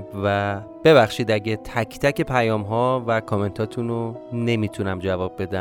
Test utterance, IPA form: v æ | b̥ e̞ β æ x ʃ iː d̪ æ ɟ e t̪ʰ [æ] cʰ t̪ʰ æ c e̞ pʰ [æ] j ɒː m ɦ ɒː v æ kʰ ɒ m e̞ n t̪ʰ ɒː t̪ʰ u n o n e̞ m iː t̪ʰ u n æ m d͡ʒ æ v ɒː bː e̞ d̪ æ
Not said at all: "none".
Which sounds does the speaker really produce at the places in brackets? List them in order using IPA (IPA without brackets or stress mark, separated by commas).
æ, æ